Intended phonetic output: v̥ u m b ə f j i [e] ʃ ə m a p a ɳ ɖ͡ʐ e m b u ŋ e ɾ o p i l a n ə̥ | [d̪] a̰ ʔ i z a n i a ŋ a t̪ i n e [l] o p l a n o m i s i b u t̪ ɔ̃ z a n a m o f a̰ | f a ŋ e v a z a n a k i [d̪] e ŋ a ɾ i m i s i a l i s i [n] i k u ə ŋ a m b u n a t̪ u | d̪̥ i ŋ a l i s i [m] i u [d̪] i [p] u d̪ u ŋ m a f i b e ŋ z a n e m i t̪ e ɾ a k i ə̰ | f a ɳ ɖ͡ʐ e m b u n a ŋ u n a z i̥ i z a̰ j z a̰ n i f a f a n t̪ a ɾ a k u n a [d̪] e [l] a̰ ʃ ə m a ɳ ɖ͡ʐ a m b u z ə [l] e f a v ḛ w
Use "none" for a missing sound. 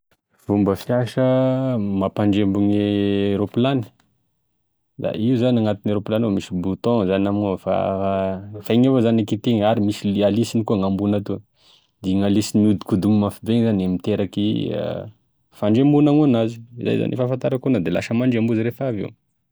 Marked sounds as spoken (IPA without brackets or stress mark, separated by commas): a, d̪, ɾ, t̪, n, n, d̪, k, d̪, l, ɾ